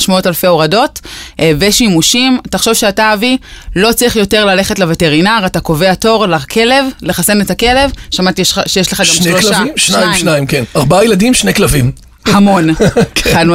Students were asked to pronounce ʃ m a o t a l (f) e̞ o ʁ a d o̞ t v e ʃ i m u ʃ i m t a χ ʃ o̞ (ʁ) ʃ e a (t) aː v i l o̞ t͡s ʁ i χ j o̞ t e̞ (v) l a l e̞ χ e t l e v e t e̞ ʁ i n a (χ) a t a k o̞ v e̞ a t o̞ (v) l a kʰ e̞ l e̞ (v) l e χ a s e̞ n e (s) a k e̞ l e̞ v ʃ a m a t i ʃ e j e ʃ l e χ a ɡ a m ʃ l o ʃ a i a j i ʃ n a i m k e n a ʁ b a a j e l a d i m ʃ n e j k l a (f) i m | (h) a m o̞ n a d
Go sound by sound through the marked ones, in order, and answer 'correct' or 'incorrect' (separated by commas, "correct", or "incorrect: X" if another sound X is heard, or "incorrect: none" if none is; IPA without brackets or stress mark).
correct, incorrect: v, correct, incorrect: ʁ, incorrect: ʁ, incorrect: ʁ, correct, incorrect: t, incorrect: v, correct